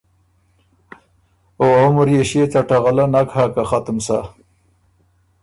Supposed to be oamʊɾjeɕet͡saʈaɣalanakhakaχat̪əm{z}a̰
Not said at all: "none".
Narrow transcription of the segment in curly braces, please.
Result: s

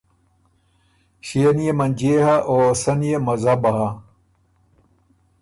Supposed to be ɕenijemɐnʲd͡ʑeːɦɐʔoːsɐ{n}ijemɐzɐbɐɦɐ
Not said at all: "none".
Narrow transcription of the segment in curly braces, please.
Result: n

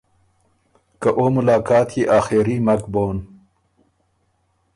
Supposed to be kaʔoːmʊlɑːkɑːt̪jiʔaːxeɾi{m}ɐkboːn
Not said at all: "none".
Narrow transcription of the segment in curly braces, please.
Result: m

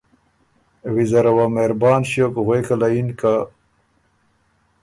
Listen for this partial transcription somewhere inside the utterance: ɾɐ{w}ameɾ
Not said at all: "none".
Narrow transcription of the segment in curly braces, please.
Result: w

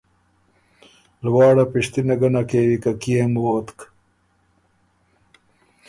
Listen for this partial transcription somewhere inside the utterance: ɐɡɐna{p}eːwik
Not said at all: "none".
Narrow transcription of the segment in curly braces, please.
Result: k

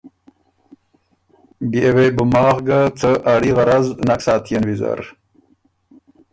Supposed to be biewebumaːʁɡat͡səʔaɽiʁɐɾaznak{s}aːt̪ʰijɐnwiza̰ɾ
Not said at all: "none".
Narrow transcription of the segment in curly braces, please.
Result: s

